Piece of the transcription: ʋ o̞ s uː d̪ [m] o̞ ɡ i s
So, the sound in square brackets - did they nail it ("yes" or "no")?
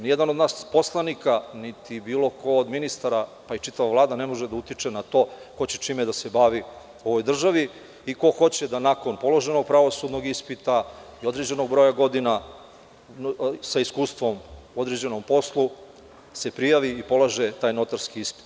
no